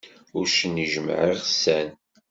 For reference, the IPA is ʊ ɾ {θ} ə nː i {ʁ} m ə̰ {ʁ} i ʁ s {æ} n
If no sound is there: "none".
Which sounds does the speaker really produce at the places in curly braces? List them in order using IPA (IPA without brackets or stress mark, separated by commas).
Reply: ʃ, ʒ, ʕ, æ